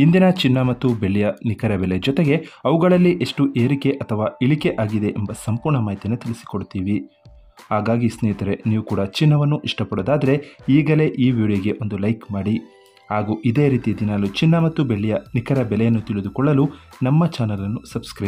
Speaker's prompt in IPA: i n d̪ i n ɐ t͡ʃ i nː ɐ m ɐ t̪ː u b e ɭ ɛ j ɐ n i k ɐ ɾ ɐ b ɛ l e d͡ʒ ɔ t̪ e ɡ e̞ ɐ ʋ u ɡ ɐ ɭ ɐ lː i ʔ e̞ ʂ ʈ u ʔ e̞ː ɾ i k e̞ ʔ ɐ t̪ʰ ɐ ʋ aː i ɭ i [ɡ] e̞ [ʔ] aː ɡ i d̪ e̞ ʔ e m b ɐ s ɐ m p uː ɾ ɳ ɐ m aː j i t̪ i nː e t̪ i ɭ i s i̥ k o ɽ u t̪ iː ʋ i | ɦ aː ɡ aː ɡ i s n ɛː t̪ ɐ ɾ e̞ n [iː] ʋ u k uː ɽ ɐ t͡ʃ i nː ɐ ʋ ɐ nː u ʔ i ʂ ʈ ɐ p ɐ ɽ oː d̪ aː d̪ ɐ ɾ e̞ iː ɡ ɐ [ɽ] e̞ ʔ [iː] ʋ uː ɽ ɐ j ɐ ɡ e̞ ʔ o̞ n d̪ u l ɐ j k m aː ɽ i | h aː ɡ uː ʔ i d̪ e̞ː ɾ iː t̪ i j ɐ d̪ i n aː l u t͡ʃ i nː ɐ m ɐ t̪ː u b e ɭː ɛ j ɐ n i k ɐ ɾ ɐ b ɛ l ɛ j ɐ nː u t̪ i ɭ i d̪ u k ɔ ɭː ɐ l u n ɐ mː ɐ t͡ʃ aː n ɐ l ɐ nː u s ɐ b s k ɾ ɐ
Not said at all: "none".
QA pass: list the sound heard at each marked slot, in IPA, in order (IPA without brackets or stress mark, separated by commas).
k, ʔ, iː, l, iː